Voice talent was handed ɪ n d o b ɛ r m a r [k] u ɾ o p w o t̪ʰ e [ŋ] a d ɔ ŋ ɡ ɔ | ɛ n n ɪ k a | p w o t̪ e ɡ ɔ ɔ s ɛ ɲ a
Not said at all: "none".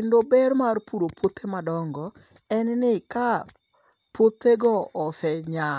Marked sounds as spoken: p, m

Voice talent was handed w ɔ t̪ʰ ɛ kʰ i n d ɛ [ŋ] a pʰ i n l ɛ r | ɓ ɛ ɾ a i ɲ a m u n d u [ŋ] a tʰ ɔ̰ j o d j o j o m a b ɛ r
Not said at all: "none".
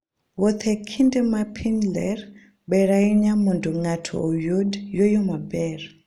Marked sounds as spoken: m, ŋ

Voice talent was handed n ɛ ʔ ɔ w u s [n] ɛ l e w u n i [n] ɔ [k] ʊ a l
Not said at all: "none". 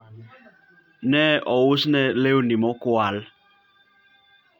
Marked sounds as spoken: n, m, k

